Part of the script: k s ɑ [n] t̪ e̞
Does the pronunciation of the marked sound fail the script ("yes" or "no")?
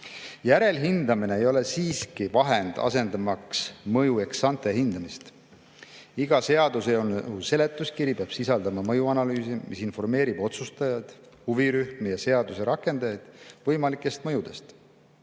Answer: no